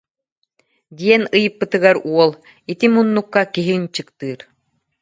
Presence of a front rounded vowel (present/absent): absent